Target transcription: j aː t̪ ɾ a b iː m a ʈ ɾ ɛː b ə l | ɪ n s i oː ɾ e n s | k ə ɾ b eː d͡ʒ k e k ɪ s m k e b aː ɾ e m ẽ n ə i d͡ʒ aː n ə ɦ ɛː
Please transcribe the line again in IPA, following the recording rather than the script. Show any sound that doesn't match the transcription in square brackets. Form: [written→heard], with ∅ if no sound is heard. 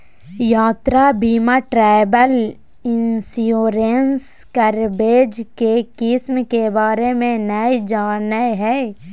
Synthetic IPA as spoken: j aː t̪ ɾ a b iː m a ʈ ɾ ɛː b ə l | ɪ n s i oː ɾ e n s | k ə ɾ b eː d͡ʒ k e k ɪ s m k e b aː ɾ e m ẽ n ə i d͡ʒ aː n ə ɦ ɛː